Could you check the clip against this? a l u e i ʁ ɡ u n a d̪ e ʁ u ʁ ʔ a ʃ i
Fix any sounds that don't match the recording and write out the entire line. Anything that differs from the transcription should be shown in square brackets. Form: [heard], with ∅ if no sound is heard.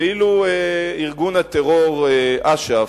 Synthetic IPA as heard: [i] l u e i ʁ ɡ u n a [t̪] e ʁ [o] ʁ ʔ a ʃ [a]

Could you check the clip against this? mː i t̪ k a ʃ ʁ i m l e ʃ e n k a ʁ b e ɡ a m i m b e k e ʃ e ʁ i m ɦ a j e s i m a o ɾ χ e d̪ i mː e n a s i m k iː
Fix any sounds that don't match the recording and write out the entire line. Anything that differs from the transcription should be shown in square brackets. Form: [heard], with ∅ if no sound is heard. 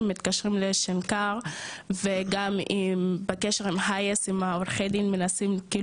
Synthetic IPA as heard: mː i t̪ k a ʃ ʁ i m l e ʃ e n k a ʁ [v] e ɡ a m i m b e k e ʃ e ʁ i m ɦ a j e s i m a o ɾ χ e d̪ i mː e n a s i m k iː

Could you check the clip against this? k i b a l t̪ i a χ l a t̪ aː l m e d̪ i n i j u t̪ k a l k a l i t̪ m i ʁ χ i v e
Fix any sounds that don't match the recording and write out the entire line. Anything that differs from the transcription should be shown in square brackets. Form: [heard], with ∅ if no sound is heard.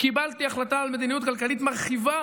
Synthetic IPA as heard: k i b a l t̪ i a χ l a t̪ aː l m e d̪ i n i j u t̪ k a l k a l i t̪ m [a] ʁ χ i v [a]

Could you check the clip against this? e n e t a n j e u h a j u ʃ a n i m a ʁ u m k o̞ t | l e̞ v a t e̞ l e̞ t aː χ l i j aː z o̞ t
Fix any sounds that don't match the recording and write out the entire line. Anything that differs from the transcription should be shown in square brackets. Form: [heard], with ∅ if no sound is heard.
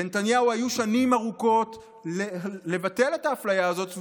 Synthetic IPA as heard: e n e t a n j [a] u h a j u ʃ a n i m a ʁ u [∅] k o̞ t | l e̞ v a t e̞ l e̞ t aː [f] l [a] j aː z o̞ t

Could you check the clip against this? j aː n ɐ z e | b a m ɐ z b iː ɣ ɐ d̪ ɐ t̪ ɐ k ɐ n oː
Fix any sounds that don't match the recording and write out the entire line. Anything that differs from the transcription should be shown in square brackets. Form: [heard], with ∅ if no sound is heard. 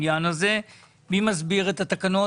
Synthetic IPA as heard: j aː n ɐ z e | b [i] m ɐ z b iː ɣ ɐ [t̪] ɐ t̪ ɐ k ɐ n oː

